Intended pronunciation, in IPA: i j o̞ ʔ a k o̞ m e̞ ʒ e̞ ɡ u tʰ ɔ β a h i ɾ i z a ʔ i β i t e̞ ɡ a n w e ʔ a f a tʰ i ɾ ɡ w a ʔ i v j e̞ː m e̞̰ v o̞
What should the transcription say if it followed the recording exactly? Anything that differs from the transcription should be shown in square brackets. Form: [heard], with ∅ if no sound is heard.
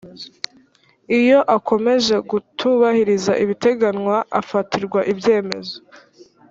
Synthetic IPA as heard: i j o̞ ʔ a k o̞ m e̞ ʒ e̞ ɡ u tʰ [u] β a h i ɾ i z a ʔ i β i t e̞ ɡ a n w [a] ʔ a f a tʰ i ɾ ɡ w a ʔ i [b] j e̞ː m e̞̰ [z] o̞